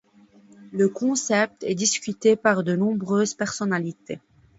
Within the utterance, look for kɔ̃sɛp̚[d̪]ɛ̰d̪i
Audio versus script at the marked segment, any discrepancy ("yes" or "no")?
yes